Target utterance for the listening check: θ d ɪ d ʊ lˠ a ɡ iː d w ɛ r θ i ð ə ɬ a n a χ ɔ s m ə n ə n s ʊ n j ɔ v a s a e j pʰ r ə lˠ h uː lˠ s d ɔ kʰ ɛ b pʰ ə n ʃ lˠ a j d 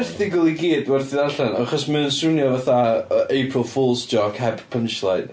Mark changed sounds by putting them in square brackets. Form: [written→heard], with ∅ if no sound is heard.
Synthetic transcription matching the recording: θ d ɪ [d→ɡ] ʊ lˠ [a→i] ɡ iː d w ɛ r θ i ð [ə→a] ɬ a n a χ ɔ s m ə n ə n s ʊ n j ɔ v a [s→θ] a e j pʰ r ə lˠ [h→f] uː lˠ s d ɔ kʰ ɛ b pʰ ə n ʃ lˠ a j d